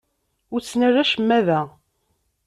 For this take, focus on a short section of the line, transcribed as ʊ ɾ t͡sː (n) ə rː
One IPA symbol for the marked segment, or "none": n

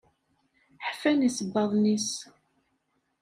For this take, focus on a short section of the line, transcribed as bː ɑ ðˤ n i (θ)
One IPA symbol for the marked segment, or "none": s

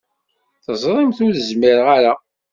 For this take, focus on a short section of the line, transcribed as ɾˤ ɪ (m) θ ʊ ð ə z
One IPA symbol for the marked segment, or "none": m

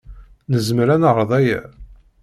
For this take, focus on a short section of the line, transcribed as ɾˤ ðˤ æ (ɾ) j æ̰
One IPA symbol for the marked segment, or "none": none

